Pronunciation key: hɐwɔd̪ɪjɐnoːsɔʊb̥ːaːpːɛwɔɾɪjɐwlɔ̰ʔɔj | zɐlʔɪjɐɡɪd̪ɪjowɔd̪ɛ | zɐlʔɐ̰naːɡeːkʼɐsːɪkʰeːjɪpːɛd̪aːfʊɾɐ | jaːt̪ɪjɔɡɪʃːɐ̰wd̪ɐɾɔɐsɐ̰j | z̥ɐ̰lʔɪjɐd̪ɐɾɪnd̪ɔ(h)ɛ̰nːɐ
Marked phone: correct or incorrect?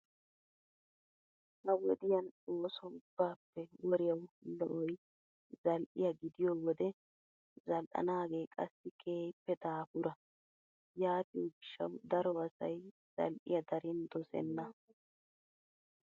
incorrect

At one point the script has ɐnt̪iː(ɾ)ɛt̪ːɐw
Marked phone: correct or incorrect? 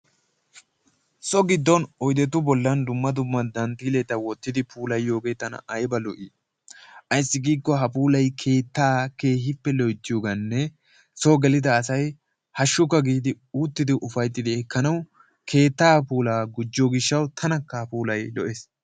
incorrect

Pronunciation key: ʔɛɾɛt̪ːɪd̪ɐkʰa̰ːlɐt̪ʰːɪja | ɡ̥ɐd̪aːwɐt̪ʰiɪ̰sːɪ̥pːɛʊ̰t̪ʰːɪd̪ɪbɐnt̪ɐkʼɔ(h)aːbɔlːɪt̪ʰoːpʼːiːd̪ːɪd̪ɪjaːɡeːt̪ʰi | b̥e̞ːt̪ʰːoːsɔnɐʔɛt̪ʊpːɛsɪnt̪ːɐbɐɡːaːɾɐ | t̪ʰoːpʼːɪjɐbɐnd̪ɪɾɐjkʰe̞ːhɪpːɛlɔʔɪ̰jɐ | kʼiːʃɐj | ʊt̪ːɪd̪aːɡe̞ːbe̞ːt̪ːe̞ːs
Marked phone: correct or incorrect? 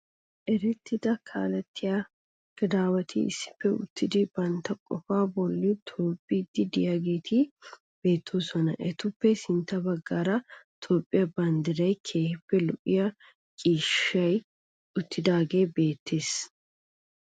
incorrect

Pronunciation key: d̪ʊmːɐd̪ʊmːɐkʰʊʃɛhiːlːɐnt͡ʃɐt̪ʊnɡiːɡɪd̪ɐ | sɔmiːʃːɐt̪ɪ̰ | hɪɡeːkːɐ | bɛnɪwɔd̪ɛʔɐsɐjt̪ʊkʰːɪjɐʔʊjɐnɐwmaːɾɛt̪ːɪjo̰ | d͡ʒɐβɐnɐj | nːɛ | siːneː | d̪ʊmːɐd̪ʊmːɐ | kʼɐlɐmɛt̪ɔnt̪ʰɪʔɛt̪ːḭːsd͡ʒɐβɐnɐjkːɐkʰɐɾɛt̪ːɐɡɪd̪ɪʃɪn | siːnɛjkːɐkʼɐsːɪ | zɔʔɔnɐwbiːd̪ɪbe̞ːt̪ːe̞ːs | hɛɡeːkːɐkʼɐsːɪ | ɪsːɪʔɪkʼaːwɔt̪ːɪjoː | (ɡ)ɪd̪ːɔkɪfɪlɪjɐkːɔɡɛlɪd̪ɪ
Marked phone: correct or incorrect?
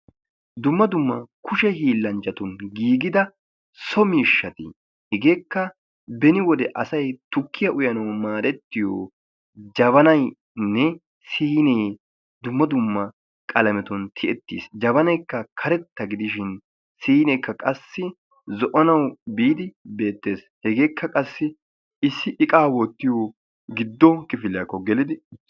correct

